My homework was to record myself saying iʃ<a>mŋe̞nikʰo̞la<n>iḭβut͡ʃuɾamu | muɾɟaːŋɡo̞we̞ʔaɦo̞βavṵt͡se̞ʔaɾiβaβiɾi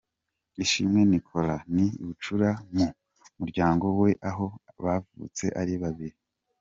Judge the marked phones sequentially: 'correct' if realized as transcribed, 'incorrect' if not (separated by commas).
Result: incorrect, correct